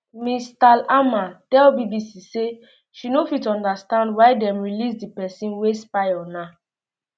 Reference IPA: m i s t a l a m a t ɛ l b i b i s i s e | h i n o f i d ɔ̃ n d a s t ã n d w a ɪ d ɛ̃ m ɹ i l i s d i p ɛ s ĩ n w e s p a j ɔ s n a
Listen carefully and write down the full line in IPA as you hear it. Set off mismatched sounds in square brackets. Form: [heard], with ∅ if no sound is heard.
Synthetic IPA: m i s t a l a m a t ɛ l b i b i s i s e | [ʃ] i n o f i [t] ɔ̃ n d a s t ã n d w a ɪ d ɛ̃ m ɹ i l i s d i p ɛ s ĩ n w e s p a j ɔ [∅] n a